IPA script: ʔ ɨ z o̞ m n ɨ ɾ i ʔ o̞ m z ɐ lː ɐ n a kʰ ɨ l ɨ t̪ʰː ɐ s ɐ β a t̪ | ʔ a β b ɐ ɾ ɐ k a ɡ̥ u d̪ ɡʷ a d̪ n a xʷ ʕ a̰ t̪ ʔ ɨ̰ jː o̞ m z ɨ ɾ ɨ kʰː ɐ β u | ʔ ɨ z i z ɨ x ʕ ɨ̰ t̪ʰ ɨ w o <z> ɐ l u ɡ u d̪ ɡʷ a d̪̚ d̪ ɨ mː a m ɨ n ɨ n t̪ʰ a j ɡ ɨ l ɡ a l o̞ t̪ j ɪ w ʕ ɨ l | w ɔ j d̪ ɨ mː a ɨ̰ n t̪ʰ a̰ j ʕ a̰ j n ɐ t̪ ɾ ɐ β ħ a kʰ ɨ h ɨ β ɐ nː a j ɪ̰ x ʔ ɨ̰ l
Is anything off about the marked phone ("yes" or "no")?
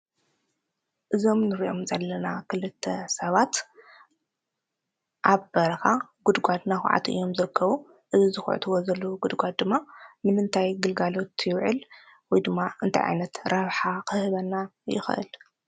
no